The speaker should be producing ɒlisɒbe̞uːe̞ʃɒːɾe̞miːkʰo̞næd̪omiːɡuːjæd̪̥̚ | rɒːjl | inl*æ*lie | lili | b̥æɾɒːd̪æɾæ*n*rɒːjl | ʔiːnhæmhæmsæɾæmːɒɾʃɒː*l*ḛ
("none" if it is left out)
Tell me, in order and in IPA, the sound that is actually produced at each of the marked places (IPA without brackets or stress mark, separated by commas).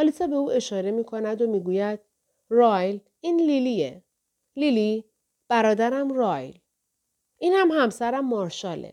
i, m, l